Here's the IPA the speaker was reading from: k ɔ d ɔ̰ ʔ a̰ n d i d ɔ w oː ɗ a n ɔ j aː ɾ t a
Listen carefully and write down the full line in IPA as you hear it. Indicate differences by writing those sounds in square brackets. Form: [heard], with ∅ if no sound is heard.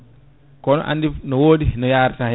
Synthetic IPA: k ɔ [n] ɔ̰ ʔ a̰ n d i [n] ɔ w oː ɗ [i] n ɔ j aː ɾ t a

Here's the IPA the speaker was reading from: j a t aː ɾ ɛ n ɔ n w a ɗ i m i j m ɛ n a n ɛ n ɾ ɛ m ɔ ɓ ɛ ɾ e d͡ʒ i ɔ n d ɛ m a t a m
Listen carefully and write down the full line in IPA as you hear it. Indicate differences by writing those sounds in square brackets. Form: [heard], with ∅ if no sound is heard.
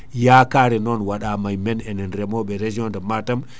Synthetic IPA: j a [k] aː ɾ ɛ n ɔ n w a ɗ [a] m [a] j m ɛ n [ɛ] n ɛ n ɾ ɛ m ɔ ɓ ɛ ɾ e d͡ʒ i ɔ n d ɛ m a t a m

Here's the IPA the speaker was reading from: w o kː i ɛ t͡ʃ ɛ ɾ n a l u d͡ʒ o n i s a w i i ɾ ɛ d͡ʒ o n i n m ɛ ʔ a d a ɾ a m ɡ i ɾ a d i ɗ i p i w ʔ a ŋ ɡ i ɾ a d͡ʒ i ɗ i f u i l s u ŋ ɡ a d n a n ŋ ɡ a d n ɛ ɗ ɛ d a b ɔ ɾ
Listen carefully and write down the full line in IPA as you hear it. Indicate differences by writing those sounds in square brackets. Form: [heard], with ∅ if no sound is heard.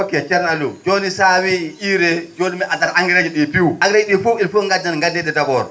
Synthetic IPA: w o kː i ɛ t͡ʃ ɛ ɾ n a l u d͡ʒ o n i s a w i i ɾ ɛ d͡ʒ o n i [∅] m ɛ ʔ a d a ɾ a [ŋ] ɡ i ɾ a [d͡ʒ] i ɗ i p i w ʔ a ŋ ɡ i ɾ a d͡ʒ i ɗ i f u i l [f] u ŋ ɡ a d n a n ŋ ɡ a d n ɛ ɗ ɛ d a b ɔ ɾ

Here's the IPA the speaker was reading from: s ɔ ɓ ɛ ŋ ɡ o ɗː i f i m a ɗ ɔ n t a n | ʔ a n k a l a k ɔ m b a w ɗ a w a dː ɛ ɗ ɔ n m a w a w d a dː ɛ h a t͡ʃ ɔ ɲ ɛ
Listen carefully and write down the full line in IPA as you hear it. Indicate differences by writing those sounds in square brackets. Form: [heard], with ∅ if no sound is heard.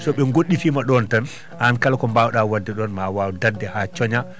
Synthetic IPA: s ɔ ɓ ɛ ŋ ɡ o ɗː i f i m a ɗ ɔ n t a n | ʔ a n k a l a k ɔ m b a w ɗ a w a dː ɛ ɗ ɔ n m a w a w d a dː ɛ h a t͡ʃ ɔ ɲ [a]

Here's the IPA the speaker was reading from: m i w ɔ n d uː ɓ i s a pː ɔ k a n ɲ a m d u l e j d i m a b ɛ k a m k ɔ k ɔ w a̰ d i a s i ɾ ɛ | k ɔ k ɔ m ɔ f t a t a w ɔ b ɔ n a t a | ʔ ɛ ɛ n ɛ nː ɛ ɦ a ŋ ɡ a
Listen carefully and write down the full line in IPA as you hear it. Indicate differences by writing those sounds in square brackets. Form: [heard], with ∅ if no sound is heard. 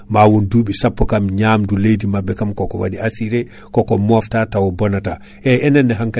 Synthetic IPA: m [a] w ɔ n d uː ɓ i s a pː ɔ k a [m] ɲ a m d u l e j d i m a b ɛ k a m k ɔ k ɔ w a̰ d i a s i ɾ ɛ | k ɔ k ɔ m ɔ f t a t a w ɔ b ɔ n a t a | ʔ ɛ ɛ n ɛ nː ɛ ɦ a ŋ [k] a

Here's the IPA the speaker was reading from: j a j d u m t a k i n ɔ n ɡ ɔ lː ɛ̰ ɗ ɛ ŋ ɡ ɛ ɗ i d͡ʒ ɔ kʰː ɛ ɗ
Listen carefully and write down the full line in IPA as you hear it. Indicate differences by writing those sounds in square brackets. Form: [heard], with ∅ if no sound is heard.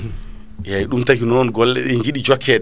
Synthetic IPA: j a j [ɗ] u m t a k i n ɔ n ɡ ɔ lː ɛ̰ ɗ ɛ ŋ ɡ [i] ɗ i d͡ʒ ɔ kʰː ɛ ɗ

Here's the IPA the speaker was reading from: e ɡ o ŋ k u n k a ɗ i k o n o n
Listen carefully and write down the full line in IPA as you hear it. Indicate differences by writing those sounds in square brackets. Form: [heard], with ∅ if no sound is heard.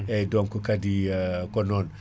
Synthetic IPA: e [d] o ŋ k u [∅] k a [d] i k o n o n

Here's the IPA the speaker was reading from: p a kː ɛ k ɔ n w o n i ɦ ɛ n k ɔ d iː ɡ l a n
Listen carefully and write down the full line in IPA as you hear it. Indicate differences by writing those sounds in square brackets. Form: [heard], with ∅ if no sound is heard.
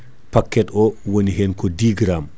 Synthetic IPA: p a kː ɛ [t] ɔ [∅] w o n i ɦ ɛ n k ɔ d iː ɡ [ɾ] a [m]

